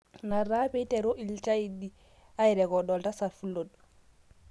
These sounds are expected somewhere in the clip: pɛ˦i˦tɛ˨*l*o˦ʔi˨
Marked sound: incorrect: ɾ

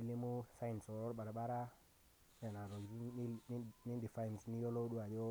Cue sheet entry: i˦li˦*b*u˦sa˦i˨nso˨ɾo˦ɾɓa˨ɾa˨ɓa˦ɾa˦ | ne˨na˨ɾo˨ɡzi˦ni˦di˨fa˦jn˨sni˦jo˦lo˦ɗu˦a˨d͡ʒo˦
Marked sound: incorrect: m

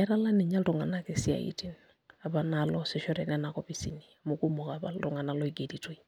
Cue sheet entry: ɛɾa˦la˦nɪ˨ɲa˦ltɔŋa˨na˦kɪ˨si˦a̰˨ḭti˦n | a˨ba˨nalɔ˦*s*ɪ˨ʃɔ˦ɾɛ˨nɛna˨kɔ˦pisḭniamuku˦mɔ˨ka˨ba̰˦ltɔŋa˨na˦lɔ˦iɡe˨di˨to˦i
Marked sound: correct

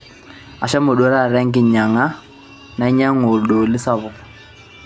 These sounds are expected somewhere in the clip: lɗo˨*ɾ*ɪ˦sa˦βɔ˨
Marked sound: incorrect: l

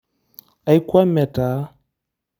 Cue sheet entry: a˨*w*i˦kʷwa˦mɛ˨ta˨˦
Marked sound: incorrect: none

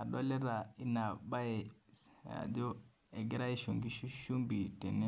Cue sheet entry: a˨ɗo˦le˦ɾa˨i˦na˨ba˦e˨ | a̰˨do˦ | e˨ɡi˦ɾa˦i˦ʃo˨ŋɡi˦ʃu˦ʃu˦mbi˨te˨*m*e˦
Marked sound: incorrect: n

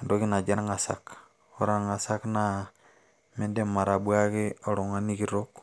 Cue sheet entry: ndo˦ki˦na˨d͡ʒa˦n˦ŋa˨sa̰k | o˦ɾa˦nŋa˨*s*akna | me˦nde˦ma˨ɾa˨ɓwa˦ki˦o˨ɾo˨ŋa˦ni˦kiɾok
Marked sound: correct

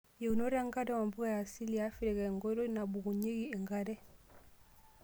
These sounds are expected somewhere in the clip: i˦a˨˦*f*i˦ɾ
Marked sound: correct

